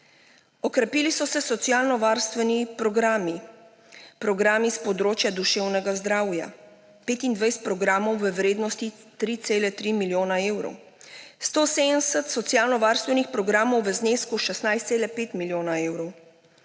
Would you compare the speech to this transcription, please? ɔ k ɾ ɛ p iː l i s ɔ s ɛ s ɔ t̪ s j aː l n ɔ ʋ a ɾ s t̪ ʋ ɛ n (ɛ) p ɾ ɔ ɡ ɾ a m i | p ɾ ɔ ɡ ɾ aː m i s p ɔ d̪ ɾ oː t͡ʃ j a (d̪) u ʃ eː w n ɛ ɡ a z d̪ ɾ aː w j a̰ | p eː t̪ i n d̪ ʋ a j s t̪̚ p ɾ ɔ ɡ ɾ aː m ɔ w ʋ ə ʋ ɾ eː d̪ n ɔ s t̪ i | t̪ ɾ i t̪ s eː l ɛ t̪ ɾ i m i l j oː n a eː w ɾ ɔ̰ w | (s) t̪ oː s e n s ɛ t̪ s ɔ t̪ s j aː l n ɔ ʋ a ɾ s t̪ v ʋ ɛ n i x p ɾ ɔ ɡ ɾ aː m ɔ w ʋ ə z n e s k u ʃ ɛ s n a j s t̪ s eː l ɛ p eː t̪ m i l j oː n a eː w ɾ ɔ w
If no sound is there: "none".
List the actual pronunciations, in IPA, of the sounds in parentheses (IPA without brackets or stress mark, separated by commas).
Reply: i, d̪, s